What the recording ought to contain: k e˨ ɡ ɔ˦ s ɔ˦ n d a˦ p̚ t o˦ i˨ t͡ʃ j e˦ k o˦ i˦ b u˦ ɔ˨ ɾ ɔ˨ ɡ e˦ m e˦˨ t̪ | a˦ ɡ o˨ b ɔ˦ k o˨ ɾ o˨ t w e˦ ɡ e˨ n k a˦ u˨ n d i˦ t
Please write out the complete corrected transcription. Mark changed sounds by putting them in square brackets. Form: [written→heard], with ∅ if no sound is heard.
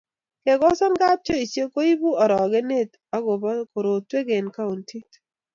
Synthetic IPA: k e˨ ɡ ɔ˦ s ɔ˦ n [d→ɡ] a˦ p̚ [t→t͡ʃ] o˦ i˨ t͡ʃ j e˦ k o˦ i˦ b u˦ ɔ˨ ɾ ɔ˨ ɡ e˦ [m→n] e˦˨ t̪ | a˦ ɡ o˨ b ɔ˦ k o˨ ɾ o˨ t w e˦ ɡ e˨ n k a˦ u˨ n [d→t] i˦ t

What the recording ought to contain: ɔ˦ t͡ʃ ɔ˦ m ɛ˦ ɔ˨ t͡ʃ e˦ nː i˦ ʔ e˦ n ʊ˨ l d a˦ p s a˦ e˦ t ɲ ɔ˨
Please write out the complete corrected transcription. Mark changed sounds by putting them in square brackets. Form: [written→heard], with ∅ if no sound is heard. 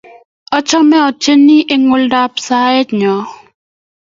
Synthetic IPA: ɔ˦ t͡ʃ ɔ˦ m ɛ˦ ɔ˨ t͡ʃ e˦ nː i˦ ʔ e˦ [n→ŋ] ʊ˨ l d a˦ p s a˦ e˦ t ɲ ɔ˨

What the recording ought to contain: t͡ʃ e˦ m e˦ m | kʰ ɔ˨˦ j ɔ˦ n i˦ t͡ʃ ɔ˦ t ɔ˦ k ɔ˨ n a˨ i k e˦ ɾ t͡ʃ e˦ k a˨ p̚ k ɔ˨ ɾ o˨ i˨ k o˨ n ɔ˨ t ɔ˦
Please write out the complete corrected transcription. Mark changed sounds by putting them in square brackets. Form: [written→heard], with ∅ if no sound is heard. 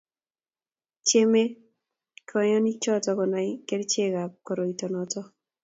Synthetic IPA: t͡ʃ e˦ m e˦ [m→∅] | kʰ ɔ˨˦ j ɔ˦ n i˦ t͡ʃ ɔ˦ t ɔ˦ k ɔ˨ n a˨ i k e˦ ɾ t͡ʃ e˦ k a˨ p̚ k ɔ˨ ɾ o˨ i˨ [k→t] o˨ n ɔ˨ t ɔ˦

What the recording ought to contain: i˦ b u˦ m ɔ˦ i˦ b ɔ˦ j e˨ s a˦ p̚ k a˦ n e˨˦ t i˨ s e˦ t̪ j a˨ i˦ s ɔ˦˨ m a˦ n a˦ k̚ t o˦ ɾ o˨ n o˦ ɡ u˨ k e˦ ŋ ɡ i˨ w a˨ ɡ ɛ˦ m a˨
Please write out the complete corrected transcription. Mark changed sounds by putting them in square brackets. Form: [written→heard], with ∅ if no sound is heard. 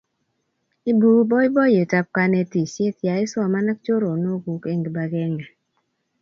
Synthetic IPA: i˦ b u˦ [m→b] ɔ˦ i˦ b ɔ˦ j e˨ [s→t] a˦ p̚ k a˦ n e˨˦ t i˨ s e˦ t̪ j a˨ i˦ s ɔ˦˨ m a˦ n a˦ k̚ [t→t͡ʃ] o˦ ɾ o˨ n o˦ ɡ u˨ k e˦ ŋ ɡ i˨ [w→b] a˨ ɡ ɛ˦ [m→ŋ] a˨

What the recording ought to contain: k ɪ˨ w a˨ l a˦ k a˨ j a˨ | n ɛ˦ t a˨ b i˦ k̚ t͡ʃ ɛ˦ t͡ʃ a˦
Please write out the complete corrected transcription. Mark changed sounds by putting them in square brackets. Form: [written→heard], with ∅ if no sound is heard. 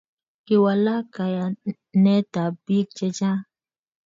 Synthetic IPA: k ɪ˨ w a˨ l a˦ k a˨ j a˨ | n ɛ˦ t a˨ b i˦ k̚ t͡ʃ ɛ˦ t͡ʃ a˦

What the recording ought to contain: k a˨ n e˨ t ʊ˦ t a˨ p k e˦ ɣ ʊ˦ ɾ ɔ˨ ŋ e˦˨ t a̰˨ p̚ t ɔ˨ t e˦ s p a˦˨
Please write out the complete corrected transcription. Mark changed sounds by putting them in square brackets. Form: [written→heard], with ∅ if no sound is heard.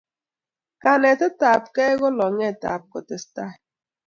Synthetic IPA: k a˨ n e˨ t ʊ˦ t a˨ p k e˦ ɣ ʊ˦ [ɾ→l] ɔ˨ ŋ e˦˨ t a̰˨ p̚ [t→k] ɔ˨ t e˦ s [p→t] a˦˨

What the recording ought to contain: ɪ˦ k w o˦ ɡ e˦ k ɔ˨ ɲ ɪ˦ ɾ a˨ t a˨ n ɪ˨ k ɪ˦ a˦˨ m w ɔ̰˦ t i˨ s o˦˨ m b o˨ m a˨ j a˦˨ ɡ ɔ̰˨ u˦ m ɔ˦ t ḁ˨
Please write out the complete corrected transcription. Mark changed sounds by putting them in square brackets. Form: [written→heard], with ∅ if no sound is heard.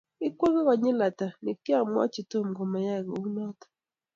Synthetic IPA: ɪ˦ k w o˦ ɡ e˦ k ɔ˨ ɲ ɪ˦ [ɾ→l] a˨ t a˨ n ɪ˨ k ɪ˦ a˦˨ m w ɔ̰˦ [t→t͡ʃ] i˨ [s→t] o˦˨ m [b→ɡ] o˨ m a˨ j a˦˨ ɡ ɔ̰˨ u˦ [m→n] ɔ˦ t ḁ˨

